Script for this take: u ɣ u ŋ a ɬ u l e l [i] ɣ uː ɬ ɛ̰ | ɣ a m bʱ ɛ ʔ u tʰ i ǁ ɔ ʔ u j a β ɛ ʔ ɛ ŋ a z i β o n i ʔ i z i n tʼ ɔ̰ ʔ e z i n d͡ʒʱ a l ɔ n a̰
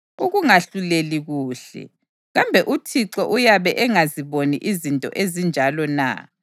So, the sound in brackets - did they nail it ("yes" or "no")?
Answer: yes